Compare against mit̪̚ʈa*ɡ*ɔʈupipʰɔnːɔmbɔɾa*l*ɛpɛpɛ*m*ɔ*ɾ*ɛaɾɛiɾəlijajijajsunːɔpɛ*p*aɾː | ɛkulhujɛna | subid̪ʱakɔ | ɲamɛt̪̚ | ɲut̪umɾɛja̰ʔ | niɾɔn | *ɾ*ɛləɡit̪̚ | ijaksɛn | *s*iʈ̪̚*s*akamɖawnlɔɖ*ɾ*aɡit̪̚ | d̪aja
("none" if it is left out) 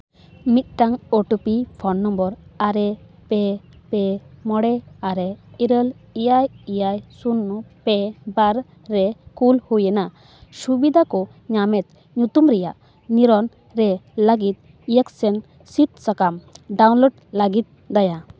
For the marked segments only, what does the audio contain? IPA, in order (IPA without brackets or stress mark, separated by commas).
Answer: ŋ, ɾ, m, ɽ, b, ɾ, s, s, l